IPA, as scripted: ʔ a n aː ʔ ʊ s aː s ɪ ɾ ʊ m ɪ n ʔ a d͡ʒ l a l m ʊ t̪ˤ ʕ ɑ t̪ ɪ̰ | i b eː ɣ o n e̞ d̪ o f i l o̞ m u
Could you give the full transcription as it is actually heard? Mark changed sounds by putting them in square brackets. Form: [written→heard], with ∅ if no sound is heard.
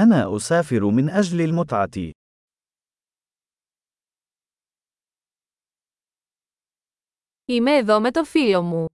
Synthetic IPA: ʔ a n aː ʔ ʊ s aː [s→f] ɪ ɾ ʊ m ɪ n ʔ a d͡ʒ l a l m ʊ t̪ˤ ʕ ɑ t̪ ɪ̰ | i [b→m] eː [ɣ→ð] o [n→m] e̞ [d̪→t̪] o f i l o̞ m u